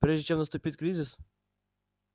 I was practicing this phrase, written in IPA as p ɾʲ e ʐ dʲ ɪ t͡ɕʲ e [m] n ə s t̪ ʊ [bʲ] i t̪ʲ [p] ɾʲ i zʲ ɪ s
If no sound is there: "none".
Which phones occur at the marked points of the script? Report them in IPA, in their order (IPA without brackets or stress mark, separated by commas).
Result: m, pʲ, k